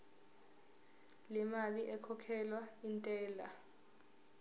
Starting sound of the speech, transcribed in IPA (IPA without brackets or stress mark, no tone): l